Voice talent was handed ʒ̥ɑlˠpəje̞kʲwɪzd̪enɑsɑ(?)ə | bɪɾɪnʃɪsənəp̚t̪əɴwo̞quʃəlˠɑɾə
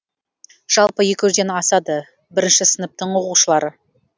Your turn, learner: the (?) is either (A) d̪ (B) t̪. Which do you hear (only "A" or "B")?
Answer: A